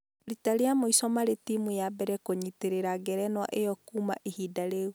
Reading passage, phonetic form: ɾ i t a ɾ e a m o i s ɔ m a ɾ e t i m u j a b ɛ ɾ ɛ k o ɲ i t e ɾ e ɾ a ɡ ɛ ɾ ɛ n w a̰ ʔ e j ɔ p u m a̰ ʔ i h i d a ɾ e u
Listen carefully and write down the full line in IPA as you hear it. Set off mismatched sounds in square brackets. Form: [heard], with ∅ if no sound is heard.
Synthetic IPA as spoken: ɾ i t a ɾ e a m o i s ɔ m a ɾ e t i m u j a b ɛ ɾ ɛ k o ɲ i t e ɾ e ɾ a ɡ ɛ ɾ ɛ n w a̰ ʔ e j ɔ [k] u m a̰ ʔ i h i d a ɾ e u